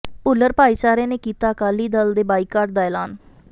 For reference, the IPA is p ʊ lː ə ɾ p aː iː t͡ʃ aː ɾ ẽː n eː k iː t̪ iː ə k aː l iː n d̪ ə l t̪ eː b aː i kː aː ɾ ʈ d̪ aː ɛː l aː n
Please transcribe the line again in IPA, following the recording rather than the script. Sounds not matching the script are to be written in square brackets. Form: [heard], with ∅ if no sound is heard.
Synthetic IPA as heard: p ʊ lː ə ɾ p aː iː t͡ʃ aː ɾ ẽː n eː k iː t̪ [aː] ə k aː l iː [∅] d̪ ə l [d̪] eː b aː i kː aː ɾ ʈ d̪ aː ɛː l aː n